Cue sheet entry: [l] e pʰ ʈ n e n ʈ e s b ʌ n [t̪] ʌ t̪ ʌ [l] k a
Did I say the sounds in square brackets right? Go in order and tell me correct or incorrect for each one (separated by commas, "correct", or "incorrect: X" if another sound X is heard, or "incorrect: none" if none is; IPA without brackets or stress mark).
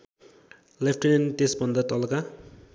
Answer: correct, incorrect: d̪, correct